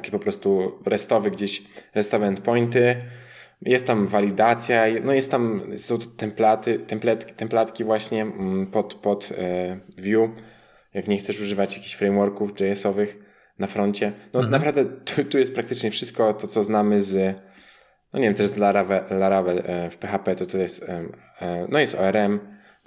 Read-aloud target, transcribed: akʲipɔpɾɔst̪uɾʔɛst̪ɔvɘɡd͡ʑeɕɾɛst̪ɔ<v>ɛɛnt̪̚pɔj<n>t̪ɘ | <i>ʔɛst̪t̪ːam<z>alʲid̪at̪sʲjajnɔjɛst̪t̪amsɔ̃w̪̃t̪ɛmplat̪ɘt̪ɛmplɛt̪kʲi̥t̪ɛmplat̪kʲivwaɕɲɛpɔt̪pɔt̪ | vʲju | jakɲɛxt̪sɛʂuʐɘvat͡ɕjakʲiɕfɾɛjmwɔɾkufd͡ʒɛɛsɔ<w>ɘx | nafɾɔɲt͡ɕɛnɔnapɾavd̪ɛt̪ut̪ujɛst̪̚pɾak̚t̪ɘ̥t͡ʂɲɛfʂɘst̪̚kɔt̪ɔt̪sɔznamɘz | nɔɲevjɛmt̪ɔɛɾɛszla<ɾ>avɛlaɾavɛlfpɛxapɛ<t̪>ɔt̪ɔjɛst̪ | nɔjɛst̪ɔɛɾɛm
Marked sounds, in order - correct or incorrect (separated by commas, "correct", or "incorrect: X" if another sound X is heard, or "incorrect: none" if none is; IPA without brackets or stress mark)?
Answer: correct, correct, incorrect: j, incorrect: v, incorrect: v, correct, correct